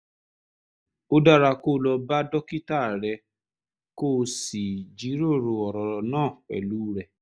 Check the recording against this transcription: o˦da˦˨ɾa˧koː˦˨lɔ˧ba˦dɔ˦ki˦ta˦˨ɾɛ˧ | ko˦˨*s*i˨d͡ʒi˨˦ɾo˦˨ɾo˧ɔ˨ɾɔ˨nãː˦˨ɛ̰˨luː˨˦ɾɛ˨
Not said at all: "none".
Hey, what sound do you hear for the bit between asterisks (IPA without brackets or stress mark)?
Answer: s